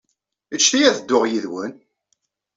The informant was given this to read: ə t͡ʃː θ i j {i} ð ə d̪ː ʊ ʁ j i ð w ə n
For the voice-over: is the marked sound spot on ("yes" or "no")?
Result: no